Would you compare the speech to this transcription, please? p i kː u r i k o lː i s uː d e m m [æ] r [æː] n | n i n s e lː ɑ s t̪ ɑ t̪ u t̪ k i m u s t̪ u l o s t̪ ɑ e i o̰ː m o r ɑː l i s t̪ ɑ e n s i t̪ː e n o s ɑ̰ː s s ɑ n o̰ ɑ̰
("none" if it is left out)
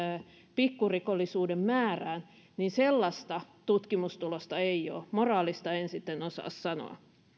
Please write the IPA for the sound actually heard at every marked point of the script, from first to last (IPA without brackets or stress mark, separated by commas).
æː, æː